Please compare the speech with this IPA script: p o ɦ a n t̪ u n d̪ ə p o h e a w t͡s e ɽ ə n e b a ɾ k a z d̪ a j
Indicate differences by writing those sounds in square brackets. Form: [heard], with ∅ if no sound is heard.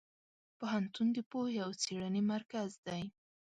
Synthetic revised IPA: p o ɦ a n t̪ u n d̪ ə p o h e a w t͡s e ɽ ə n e [m] a ɾ k a z d̪ a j